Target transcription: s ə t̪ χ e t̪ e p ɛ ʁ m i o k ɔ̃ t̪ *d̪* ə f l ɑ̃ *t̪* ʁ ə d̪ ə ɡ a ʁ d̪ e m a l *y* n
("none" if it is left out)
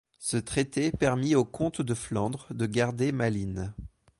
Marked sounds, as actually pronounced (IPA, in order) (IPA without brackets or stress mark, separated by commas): d̪, d̪, i